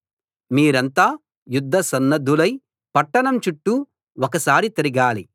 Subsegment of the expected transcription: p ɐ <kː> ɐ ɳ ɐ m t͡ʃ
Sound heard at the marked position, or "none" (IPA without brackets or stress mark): ʈː